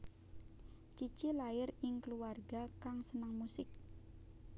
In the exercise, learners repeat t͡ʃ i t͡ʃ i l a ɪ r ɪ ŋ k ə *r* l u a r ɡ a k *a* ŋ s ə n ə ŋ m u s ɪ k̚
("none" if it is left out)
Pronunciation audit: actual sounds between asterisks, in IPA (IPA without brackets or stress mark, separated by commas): none, a